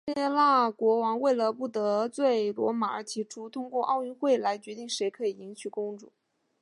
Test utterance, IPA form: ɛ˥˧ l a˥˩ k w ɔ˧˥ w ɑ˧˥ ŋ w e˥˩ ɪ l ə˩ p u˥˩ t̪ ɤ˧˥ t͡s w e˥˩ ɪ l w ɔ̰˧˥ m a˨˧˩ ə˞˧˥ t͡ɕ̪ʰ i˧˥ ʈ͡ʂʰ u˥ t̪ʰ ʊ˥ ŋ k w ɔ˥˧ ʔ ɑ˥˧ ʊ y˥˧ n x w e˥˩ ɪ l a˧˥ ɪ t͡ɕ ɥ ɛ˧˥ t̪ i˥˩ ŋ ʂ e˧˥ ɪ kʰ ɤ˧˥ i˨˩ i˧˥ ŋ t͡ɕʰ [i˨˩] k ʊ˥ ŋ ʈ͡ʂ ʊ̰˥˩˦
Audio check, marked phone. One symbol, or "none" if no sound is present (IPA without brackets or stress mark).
y˨˩